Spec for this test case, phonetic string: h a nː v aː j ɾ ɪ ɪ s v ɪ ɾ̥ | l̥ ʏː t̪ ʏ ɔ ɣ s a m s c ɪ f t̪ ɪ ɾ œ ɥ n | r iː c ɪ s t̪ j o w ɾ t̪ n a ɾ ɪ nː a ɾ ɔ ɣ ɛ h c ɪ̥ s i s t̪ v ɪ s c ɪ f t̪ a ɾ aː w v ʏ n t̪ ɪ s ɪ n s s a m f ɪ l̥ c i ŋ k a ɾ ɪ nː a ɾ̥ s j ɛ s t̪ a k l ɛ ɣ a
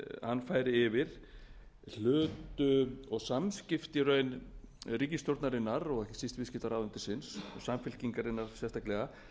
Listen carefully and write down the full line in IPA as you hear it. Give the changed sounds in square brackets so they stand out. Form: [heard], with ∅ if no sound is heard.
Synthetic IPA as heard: h a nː [f] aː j ɾ ɪ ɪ [∅] v ɪ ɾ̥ | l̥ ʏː t̪ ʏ ɔ ɣ s a m s c ɪ f t̪ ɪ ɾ œ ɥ n | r iː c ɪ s t̪ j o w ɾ t̪ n a ɾ ɪ nː a ɾ ɔ ɣ ɛ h c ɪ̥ s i s t̪ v ɪ s c ɪ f t̪ a ɾ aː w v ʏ n t̪ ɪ s ɪ n s s a m f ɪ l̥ c i ŋ k a ɾ ɪ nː a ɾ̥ s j ɛ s t̪ a k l ɛ ɣ a

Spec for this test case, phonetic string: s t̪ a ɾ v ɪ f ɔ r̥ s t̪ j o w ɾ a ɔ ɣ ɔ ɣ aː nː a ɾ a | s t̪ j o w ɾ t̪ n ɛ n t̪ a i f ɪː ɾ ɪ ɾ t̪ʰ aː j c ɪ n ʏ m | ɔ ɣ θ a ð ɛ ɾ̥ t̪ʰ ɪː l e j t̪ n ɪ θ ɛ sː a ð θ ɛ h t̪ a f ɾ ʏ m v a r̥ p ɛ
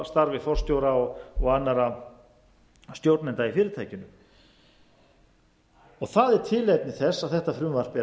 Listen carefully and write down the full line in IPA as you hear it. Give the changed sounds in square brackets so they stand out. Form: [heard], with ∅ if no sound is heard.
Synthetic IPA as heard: s t̪ a ɾ v ɪ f ɔ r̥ s t̪ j o w ɾ a ɔ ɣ ɔ ɣ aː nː a ɾ a | s t̪ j o w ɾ t̪ n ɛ n t̪ a i f ɪː ɾ ɪ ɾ t̪ʰ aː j c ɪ n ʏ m | ɔ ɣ θ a ð ɛ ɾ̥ t̪ʰ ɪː l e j t̪ n ɪ θ ɛ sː a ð θ ɛ h t̪ a f ɾ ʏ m v a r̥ p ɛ

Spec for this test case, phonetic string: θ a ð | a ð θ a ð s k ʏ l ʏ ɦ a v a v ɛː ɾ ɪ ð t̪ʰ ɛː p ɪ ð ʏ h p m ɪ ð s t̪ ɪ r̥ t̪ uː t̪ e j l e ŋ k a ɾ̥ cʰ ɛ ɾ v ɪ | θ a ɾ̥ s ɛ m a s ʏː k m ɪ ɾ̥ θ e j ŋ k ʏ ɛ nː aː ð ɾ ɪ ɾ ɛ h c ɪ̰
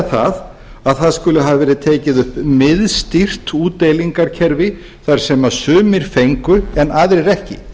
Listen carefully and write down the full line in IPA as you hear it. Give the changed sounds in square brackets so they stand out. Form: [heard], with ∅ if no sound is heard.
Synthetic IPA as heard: θ a ð | a ð θ a ð s k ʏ l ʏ ɦ a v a v ɛː ɾ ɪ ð t̪ʰ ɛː [c] ɪ ð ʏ h p m ɪ ð s t̪ [i] r̥ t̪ uː t̪ e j l [i] ŋ k a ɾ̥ cʰ ɛ ɾ v ɪ | θ a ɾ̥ s ɛ m a s ʏː [∅] m ɪ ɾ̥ [f] e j ŋ k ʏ ɛ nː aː ð ɾ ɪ ɾ ɛ h c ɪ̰

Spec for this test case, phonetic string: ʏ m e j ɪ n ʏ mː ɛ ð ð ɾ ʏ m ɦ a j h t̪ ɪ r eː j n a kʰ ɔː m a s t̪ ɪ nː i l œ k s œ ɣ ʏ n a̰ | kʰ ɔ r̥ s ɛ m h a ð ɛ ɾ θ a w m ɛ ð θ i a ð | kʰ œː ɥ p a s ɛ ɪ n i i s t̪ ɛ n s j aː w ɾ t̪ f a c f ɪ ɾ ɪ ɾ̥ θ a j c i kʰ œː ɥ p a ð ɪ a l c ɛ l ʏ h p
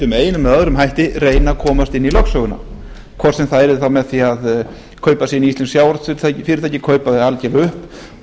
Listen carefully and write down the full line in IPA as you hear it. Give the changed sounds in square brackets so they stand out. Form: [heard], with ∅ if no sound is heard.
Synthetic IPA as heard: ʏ m e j ɪ n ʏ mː ɛ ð ð ɾ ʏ m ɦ a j h t̪ ɪ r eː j n a kʰ ɔː m a s t̪ ɪ nː i l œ k s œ ɣ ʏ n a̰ | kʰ ɔ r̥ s ɛ m [θ] a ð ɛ ɾ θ a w m ɛ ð θ i a ð | kʰ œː ɥ p a s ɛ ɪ n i i s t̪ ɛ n s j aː w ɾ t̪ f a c f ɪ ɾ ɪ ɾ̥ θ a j c [ɪ] kʰ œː ɥ p a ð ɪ a l c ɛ l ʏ h p

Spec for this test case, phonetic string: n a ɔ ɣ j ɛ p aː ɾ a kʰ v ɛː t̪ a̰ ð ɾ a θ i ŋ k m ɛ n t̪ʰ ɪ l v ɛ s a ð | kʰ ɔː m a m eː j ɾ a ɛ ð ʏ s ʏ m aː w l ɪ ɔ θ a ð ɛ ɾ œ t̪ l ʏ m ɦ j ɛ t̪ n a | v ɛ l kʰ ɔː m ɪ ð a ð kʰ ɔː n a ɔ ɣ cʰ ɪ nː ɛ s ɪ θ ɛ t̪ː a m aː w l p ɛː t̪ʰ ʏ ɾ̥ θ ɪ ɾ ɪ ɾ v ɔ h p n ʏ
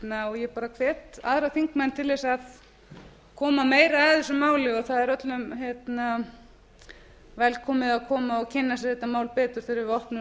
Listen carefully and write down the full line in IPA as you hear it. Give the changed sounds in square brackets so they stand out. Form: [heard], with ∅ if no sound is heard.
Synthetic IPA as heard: n a ɔ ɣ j ɛ p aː ɾ a kʰ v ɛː t̪ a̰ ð ɾ a θ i ŋ k m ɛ n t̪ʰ ɪ l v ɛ s a ð | kʰ ɔː m a m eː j ɾ a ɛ ð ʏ s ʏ m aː w l ɪ ɔ θ a ð ɛ ɾ œ t̪ l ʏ m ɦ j ɛ t̪ n a | v ɛ l kʰ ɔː m ɪ ð a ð kʰ ɔː [m] a ɔ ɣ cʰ ɪ nː [a] s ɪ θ ɛ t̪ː a m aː w l p ɛː [t̪] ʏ ɾ̥ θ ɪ ɾ ɪ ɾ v ɔ h p n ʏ

